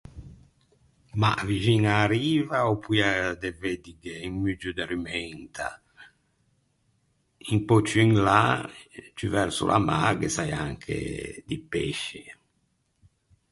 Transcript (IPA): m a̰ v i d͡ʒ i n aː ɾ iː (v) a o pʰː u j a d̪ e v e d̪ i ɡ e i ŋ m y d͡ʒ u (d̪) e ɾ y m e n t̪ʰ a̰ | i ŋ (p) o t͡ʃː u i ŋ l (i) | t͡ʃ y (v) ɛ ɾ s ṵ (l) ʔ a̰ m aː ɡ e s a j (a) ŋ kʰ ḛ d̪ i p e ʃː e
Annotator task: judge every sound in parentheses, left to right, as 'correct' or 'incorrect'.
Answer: correct, correct, correct, incorrect, correct, correct, correct

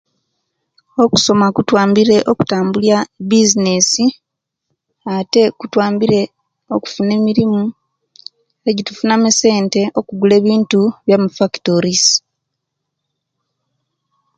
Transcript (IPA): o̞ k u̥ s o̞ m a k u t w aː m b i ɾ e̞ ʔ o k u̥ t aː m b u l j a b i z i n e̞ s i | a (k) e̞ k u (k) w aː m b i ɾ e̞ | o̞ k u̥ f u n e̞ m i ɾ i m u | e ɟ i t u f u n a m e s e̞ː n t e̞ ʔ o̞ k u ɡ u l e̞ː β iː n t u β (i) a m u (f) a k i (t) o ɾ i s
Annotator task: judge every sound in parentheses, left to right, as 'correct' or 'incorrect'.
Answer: incorrect, incorrect, incorrect, correct, correct

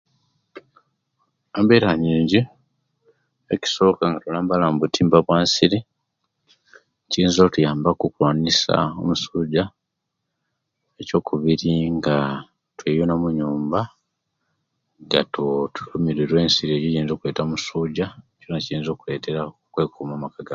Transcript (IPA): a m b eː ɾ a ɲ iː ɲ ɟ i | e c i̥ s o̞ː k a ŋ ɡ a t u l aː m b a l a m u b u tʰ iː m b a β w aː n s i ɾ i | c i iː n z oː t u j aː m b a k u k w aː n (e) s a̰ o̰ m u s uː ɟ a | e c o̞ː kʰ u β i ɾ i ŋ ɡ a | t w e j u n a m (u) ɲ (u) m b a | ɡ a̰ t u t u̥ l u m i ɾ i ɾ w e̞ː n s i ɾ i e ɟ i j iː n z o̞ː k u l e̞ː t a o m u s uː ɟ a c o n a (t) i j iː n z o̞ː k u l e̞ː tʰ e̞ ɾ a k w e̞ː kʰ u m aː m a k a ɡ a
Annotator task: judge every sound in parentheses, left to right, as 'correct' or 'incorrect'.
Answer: incorrect, correct, incorrect, incorrect

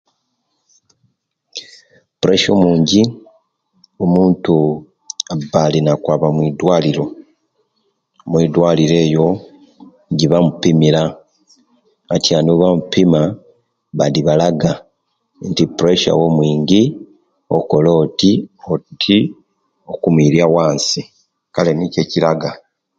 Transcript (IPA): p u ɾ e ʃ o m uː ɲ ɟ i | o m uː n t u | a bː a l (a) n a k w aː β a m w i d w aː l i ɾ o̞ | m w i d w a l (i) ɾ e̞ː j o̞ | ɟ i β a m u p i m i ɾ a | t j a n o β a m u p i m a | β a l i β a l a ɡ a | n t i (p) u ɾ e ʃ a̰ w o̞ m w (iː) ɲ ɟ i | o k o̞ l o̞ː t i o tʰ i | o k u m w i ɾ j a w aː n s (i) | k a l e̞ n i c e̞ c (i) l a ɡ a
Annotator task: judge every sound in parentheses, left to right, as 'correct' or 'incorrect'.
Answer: incorrect, correct, correct, correct, correct, correct

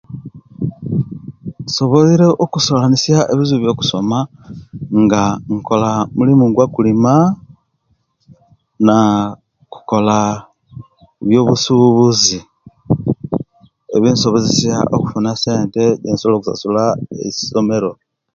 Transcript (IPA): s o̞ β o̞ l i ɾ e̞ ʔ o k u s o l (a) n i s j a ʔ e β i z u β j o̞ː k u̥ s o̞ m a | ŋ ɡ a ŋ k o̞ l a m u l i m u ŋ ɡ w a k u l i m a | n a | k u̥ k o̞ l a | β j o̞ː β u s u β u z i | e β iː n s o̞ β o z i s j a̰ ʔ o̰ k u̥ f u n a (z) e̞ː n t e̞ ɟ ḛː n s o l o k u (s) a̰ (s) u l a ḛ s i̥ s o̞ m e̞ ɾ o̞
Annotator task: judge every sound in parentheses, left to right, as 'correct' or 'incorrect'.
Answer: correct, incorrect, correct, correct

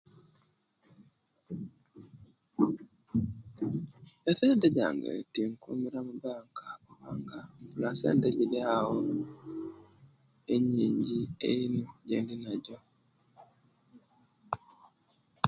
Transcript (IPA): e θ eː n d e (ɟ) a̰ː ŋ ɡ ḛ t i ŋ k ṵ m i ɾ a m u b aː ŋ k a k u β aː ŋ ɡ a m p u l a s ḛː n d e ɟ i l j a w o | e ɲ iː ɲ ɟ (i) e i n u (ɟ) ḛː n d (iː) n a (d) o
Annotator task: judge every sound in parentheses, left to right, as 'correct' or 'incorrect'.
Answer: correct, correct, correct, incorrect, incorrect

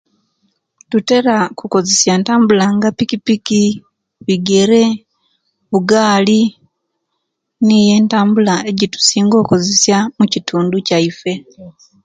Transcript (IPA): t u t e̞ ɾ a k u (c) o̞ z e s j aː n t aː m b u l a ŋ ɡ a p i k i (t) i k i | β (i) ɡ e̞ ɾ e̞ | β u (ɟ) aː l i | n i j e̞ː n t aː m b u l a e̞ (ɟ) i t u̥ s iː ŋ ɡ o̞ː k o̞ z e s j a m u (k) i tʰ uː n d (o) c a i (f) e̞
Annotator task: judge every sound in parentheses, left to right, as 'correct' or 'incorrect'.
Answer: incorrect, incorrect, correct, incorrect, correct, incorrect, incorrect, correct

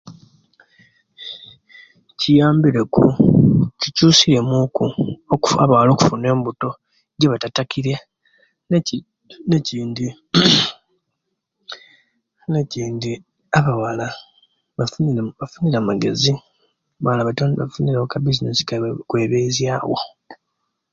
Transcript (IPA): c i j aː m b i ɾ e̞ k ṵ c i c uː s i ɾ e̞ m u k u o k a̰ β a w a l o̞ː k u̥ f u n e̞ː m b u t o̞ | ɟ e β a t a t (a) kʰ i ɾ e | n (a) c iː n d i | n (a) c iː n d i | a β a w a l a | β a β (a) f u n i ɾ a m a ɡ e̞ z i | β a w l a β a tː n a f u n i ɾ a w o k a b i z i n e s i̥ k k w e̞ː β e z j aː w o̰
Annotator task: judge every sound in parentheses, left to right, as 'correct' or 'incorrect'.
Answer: correct, incorrect, incorrect, correct

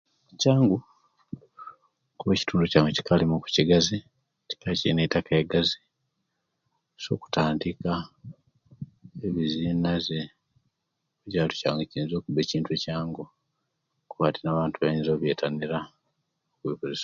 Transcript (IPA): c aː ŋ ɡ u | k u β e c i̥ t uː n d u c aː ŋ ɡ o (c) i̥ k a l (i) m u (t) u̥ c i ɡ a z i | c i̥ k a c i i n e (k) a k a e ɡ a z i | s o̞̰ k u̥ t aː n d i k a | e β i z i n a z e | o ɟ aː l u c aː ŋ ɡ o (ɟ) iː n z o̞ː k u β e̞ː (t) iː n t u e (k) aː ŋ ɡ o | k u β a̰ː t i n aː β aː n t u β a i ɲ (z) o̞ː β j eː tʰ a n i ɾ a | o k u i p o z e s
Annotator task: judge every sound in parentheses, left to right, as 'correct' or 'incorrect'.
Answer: correct, correct, incorrect, incorrect, incorrect, incorrect, incorrect, correct

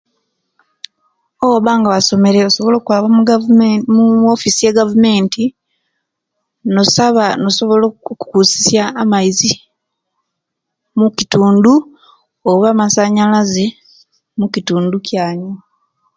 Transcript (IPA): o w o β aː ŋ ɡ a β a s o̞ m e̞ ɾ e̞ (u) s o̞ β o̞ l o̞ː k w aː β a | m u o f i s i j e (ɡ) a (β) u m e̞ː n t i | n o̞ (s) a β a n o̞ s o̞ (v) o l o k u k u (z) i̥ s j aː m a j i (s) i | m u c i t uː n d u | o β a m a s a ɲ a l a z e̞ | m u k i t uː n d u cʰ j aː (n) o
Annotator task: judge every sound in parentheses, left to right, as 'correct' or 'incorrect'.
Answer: incorrect, correct, incorrect, correct, incorrect, incorrect, incorrect, incorrect

